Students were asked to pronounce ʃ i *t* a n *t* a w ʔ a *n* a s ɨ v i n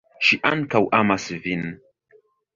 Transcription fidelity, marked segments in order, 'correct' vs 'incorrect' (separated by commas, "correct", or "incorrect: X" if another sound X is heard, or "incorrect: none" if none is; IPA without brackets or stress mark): incorrect: ʔ, incorrect: k, incorrect: m